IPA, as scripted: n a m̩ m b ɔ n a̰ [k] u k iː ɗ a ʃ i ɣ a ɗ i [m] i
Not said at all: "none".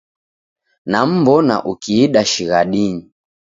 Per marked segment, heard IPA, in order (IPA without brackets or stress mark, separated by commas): ʔ, ɲ